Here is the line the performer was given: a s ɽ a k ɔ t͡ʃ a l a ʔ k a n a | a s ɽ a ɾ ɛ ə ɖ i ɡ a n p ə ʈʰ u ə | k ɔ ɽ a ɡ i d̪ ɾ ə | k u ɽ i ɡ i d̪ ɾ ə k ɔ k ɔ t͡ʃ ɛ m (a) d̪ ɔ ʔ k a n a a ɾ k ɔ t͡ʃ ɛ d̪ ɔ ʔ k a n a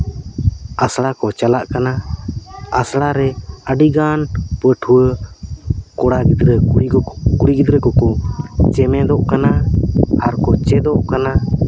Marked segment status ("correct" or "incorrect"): incorrect